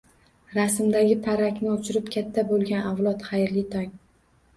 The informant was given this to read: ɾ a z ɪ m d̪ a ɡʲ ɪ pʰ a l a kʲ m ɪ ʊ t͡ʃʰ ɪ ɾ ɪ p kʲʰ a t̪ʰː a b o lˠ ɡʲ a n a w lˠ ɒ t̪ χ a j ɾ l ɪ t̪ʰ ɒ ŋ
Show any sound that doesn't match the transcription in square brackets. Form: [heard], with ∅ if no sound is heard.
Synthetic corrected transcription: ɾ a [s] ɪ m d̪ a ɡʲ ɪ pʰ a [ɾ] a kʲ [n] ɪ ʊ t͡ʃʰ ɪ ɾ ɪ p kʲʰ a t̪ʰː a b o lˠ ɡʲ a n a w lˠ ɒ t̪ χ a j ɾ l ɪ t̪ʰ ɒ ŋ